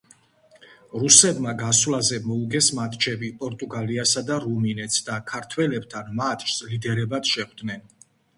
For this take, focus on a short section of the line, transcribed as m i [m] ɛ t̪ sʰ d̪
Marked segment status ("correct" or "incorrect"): incorrect